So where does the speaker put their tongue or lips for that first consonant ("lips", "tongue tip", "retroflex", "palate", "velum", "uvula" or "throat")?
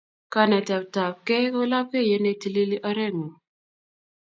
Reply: velum